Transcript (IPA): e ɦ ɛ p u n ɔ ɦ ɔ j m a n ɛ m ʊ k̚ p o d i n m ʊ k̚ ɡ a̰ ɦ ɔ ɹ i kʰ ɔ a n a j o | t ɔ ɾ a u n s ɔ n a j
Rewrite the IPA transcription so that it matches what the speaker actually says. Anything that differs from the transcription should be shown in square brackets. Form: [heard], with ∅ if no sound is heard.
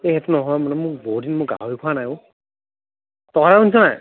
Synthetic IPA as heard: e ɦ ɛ [t] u n ɔ ɦ ɔ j m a n ɛ m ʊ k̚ [b] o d i n m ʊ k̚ ɡ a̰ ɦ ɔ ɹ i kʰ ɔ a n a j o | t ɔ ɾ a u n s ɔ n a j